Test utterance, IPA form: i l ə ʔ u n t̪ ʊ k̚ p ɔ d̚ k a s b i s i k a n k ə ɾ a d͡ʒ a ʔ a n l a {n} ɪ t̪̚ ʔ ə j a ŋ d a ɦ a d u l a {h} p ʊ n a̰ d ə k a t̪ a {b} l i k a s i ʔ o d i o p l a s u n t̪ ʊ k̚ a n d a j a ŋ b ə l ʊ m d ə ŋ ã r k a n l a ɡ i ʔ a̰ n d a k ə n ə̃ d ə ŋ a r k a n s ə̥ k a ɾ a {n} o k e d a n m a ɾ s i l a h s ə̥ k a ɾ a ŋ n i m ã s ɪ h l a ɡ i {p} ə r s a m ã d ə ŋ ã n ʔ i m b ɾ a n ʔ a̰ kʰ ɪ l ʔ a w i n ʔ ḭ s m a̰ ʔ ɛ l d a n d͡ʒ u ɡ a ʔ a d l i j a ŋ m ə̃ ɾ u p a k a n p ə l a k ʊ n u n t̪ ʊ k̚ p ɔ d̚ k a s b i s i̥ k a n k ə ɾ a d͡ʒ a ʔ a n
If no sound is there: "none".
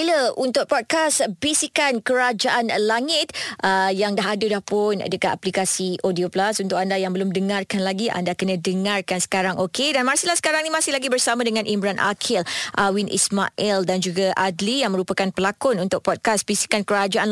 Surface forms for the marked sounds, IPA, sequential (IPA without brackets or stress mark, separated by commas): ŋ, h, p, ŋ, b